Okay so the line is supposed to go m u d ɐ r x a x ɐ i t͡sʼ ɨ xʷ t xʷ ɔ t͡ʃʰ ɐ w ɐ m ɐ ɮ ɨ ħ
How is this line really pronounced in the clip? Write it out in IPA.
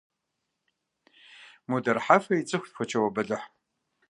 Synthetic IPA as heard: m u d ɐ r ħ a f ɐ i t͡sʼ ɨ xʷ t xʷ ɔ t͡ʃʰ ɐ w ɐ b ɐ ɮ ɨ ħ